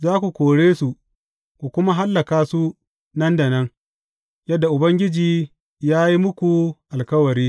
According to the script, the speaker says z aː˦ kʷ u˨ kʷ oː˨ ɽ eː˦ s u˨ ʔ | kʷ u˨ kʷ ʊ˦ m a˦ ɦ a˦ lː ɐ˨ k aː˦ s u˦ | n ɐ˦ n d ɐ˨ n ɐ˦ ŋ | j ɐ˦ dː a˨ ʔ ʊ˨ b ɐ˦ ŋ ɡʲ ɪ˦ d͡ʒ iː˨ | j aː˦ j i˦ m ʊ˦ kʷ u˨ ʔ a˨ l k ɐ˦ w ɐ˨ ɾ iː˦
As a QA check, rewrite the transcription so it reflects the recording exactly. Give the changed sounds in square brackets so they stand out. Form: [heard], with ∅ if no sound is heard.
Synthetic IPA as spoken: z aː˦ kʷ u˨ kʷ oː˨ ɽ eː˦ s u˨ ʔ | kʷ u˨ kʷ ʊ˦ m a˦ ɦ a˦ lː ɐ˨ k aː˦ s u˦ | n ɐ˦ n d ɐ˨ n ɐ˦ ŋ | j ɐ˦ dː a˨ ʔ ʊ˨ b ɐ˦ ŋ ɡʲ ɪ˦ d͡ʒ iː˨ | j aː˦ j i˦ m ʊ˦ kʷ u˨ ʔ a˨ l k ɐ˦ w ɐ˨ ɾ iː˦